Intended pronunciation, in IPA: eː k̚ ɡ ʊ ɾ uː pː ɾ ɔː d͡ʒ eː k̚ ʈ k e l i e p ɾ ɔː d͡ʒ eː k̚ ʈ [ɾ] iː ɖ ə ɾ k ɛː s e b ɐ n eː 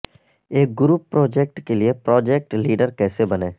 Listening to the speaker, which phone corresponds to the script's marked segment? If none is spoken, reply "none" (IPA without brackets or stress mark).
l